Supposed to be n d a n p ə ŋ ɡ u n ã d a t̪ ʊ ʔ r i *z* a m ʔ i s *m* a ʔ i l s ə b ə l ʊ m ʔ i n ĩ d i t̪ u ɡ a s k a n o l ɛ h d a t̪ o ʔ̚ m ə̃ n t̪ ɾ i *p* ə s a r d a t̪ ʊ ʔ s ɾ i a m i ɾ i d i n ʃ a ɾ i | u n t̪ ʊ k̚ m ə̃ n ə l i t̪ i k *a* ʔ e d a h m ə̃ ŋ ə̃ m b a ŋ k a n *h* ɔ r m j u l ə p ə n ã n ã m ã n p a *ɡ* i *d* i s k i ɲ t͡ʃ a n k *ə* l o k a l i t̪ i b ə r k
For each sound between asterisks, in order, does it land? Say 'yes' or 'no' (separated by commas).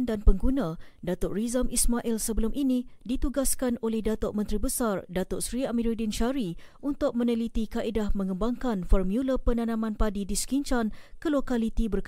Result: yes, yes, no, yes, no, no, yes, yes